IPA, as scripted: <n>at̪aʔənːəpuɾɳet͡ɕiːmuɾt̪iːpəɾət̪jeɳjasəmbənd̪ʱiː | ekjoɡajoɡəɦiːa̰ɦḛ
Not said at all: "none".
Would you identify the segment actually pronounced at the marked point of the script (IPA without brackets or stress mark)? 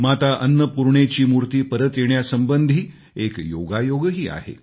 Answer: m